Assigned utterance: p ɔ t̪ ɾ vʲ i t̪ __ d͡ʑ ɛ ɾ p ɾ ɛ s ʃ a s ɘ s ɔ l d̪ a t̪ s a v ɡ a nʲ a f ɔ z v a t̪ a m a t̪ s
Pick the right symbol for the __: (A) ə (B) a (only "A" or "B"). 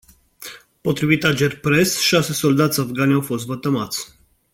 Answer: B